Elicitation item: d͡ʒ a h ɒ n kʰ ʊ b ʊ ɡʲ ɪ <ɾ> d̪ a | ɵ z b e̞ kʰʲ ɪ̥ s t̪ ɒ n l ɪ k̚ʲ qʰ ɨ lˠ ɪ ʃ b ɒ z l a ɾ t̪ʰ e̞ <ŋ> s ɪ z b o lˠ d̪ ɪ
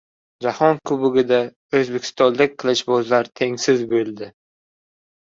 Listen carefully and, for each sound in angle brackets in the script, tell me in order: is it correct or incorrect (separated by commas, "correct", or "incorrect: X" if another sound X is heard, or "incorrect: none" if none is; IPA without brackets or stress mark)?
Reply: incorrect: none, correct